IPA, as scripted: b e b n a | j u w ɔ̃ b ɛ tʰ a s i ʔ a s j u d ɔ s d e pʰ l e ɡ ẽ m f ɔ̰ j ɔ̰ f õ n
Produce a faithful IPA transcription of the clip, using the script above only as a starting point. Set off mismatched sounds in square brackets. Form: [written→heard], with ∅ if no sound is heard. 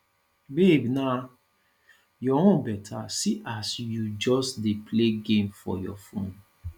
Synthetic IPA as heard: b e b n a | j [u→ɔ] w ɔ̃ b ɛ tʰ a s i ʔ a s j u [d→d͡ʒ] ɔ s d e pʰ l e ɡ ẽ m f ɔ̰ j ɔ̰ f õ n